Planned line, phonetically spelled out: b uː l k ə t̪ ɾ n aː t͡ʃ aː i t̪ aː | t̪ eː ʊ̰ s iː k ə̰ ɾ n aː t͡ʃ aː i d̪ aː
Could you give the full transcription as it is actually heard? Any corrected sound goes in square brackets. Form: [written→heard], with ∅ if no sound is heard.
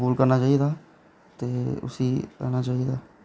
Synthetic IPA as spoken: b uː l k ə [t̪→∅] ɾ n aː t͡ʃ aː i [t̪→d̪] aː | t̪ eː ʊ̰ s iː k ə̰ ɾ n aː t͡ʃ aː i d̪ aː